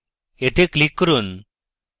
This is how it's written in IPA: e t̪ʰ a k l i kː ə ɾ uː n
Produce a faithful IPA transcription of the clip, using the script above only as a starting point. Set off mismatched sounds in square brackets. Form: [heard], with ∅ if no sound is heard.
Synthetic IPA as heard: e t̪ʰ [e] k l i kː ə ɾ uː n